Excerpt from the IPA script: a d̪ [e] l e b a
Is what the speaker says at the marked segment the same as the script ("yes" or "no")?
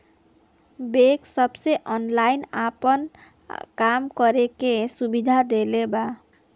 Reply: yes